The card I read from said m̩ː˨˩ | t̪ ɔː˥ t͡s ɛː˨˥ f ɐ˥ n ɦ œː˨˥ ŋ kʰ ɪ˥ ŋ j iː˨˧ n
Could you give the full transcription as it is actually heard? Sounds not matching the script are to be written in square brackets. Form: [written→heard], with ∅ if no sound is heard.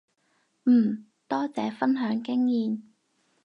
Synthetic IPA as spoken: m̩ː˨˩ | t̪ ɔː˥ t͡s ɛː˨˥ f ɐ˥ n ɦ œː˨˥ ŋ [kʰ→k] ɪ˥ ŋ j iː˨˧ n